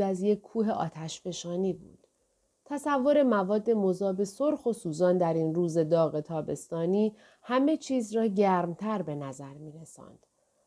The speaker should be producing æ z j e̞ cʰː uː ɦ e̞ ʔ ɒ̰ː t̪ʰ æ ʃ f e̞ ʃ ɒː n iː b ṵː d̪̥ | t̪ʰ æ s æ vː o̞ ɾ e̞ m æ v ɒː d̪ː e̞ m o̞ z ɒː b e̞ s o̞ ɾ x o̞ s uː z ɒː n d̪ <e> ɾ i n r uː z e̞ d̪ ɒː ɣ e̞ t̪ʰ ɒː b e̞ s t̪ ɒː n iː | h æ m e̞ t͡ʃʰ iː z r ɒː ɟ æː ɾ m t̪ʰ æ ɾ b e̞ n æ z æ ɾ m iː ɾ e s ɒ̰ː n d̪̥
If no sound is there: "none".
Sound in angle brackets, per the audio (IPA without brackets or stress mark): æ